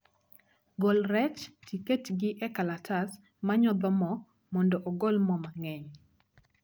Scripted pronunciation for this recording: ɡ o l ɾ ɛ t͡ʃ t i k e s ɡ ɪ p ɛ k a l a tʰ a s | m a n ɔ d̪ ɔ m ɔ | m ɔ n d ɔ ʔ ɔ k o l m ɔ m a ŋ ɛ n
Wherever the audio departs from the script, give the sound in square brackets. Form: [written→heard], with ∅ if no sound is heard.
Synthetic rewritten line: ɡ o l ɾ ɛ t͡ʃ t i k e [s→t] ɡ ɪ [p→ʔ] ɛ k a l a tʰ a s | m a [n→ɲ] ɔ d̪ ɔ m ɔ | m ɔ n d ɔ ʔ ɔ [k→ɡ] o l m ɔ m a ŋ ɛ [n→ɲ]